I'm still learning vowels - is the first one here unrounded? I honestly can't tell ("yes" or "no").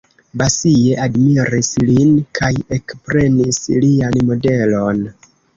yes